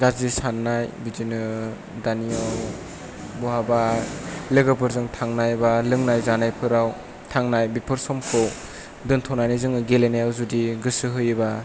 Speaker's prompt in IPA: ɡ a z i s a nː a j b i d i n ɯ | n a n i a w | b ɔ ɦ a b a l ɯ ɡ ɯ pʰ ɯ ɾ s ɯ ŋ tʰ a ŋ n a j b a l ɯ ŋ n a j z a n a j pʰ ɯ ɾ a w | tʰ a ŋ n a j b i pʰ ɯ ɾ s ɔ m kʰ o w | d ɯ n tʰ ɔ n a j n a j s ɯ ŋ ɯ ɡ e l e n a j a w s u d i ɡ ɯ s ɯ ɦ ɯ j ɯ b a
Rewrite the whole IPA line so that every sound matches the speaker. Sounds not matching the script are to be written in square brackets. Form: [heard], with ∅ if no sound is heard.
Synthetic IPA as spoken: ɡ a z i s a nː a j b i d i n ɯ | [d] a n i a w | b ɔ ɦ a b a l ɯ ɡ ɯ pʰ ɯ ɾ [z] ɯ ŋ tʰ a ŋ n a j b a l ɯ ŋ n a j z a n a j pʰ ɯ ɾ a w | tʰ a ŋ n a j b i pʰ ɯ ɾ s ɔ m kʰ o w | d ɯ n tʰ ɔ n a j n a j [z] ɯ ŋ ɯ ɡ e l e n a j a w [z] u d i ɡ ɯ s ɯ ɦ ɯ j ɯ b a